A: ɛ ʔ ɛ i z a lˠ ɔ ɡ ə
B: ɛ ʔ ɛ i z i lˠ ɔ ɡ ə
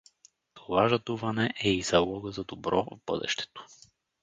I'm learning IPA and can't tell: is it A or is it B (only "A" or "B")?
A